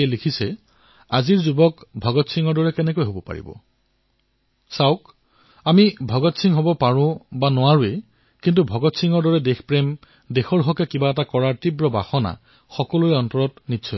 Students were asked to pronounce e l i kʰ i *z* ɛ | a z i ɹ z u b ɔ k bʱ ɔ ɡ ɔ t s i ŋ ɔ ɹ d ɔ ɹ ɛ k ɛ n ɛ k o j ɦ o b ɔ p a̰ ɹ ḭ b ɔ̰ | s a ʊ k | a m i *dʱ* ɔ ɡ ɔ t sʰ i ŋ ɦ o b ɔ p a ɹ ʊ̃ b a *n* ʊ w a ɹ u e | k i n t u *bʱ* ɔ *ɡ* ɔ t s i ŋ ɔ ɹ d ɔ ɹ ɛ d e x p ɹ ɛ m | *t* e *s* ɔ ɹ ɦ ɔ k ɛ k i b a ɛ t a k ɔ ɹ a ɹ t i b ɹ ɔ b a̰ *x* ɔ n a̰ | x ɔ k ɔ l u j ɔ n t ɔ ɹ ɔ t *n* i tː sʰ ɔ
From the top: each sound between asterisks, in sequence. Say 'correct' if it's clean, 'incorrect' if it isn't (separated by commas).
incorrect, incorrect, correct, correct, correct, incorrect, incorrect, correct, correct